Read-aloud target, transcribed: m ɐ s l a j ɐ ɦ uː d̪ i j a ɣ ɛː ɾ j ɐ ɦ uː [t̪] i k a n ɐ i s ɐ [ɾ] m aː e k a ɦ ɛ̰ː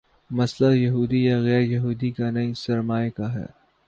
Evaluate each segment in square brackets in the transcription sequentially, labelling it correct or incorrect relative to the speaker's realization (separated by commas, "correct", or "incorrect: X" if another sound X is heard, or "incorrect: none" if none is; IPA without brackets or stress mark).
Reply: incorrect: d̪, correct